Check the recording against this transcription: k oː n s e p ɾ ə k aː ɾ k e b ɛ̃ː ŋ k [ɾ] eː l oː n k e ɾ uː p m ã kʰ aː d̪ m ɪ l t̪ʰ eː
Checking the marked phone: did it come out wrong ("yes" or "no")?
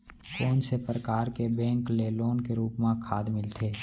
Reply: yes